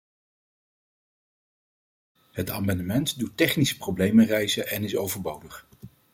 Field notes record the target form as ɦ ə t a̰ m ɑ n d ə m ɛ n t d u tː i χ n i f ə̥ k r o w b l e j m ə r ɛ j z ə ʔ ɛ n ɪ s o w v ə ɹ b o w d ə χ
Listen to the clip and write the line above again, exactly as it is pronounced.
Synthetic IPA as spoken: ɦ ə t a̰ m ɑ n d ə m ɛ n t d u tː ɛ χ n i s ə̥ p r o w b l e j m ə r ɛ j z ə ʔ ɛ n ɪ s o w v ə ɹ b o w d ə χ